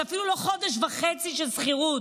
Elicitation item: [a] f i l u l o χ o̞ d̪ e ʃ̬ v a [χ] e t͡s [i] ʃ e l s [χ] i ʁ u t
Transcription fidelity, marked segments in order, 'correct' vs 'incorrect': correct, correct, correct, correct

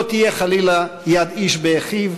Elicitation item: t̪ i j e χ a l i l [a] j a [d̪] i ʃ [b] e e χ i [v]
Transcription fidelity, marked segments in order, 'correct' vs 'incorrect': correct, correct, correct, correct

